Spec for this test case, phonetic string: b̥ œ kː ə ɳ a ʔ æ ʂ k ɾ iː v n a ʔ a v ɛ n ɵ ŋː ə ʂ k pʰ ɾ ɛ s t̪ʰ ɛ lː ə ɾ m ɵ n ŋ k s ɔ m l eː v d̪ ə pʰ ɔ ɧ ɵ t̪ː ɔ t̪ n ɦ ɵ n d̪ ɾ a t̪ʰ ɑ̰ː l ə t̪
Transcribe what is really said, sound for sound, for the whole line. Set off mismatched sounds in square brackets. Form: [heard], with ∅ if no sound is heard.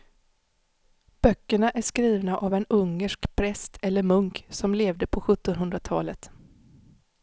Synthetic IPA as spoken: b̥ œ kː ə ɳ a ʔ æ ʂ k ɾ iː v n a ʔ a v ɛ n ɵ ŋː ə ʂ k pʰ ɾ ɛ s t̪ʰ ɛ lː ə ɾ m ɵ [∅] ŋ k s ɔ m l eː v d̪ ə pʰ ɔ ɧ ɵ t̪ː ɔ [∅] n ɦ ɵ n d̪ ɾ a t̪ʰ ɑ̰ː l ə t̪